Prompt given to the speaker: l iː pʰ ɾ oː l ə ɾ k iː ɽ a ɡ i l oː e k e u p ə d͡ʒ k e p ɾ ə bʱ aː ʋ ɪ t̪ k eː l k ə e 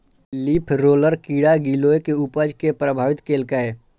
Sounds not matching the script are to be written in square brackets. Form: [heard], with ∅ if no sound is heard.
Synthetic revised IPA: l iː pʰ ɾ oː l ə ɾ k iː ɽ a ɡ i l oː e k e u p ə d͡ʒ k e p ɾ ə bʱ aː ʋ ɪ t̪ k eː l k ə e